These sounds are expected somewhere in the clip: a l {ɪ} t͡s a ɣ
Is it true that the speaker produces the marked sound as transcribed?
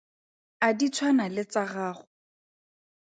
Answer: yes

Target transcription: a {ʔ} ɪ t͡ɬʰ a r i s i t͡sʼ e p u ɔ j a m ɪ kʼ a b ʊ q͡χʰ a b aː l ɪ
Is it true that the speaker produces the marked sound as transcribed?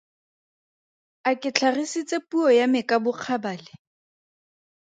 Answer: no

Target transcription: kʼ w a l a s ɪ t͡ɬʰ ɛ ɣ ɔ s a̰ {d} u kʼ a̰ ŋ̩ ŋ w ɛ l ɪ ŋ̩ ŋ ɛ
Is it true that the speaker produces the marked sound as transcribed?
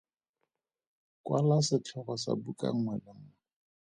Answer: no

